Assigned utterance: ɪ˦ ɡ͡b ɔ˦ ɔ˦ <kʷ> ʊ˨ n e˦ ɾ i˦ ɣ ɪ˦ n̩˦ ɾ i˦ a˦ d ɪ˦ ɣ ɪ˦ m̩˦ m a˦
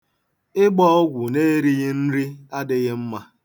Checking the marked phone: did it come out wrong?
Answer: yes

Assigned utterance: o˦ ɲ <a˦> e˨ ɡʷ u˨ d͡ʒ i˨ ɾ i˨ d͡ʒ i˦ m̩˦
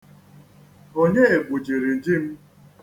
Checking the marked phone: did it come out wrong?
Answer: yes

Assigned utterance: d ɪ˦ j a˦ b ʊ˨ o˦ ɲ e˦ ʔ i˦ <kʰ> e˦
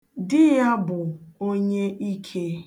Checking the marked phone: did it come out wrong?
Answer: no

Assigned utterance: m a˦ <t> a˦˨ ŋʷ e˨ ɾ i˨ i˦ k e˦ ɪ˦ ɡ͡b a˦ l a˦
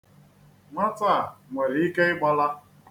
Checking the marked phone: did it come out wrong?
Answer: no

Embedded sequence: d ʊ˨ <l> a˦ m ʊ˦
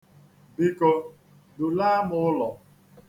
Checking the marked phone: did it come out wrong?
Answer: no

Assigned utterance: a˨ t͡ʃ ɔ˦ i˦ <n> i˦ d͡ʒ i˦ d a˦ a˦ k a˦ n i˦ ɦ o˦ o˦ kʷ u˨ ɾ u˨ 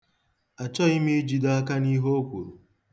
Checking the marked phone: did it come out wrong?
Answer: yes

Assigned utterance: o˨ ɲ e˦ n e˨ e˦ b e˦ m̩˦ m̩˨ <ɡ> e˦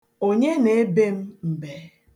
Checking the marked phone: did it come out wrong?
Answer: yes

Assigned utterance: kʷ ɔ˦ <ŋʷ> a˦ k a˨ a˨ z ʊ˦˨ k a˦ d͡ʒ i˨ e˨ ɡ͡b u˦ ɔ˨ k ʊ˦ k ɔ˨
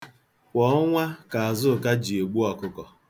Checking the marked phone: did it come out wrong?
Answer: no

